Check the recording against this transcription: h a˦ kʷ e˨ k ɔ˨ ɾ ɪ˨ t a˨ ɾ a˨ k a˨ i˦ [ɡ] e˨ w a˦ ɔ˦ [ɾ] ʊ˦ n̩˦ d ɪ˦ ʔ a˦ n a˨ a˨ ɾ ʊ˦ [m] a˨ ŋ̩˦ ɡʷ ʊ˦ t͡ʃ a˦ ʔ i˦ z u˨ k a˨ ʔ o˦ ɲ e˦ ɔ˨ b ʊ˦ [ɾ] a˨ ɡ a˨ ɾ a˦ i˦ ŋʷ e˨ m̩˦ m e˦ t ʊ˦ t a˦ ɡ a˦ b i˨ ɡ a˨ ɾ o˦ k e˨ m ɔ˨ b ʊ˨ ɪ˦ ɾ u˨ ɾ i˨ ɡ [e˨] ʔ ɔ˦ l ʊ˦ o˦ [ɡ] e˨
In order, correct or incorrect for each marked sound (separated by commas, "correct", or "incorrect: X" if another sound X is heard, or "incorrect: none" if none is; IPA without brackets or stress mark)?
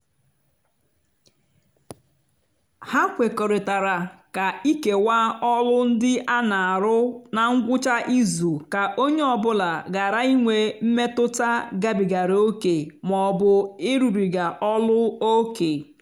incorrect: k, incorrect: l, incorrect: n, incorrect: l, incorrect: a˨, incorrect: k